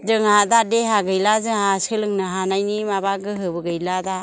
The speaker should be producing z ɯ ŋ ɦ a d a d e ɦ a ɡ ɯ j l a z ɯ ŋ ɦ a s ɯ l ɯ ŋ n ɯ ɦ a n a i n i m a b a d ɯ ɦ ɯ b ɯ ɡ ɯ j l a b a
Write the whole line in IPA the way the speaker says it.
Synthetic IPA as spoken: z ɯ ŋ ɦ a d a d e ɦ a ɡ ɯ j l a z ɯ ŋ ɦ a s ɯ l ɯ ŋ n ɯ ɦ a n a j n i m a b a ɡ ɯ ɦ ɯ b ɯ ɡ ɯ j l a d a